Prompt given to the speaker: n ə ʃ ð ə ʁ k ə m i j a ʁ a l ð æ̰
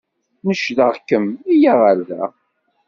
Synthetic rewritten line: n ə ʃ ð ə ʁ k ə m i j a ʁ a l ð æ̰